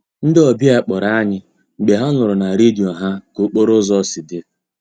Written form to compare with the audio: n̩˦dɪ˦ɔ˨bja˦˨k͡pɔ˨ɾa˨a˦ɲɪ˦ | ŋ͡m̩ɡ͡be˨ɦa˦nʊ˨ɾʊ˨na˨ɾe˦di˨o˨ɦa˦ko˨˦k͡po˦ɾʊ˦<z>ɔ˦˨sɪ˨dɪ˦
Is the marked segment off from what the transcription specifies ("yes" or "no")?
no